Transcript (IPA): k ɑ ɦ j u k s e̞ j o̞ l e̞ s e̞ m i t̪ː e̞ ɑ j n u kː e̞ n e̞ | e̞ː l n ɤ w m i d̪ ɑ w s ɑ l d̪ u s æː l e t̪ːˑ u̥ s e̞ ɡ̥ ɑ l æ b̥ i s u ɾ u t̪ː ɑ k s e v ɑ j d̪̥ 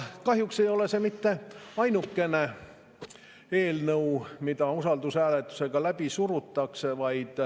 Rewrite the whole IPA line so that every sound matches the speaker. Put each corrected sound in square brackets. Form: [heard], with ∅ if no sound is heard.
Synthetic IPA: k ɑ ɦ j u k s e̞ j o̞ l e̞ s e̞ m i t̪ː e̞ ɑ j n u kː e̞ n e̞ | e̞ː l n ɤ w m i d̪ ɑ [u] s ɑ l d̪ u s æː l e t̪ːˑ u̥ s e̞ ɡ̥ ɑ l æ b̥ i s u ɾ u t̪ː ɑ k s e v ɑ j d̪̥